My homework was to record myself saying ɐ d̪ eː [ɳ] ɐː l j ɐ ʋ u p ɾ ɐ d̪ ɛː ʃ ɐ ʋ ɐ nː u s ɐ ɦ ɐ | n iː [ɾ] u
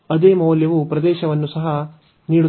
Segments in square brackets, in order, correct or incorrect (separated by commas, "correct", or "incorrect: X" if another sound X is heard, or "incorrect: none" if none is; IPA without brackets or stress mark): incorrect: m, incorrect: ɽ